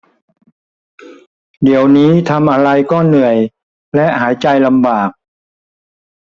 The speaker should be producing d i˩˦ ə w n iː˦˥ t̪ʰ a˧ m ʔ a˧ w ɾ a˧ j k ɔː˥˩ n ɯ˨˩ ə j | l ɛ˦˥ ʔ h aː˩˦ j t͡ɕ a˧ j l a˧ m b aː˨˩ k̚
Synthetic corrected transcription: d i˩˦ ə w n iː˦˥ t̪ʰ a˧ m ʔ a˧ ɾ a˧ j k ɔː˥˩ n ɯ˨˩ ə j | l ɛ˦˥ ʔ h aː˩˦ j t͡ɕ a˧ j l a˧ m b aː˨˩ k̚